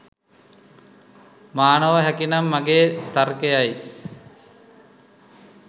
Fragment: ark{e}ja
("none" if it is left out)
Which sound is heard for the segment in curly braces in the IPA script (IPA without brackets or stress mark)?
e